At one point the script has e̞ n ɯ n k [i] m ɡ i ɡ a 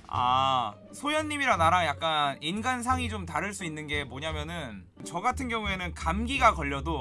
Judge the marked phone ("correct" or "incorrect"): incorrect